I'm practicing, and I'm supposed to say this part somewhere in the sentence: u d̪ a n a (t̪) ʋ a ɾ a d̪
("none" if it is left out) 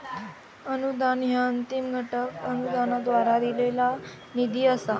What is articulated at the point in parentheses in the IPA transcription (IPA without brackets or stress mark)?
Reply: d̪